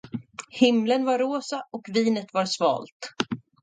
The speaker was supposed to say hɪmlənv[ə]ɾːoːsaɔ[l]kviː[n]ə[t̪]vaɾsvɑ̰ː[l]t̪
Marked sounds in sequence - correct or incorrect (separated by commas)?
incorrect, incorrect, correct, correct, correct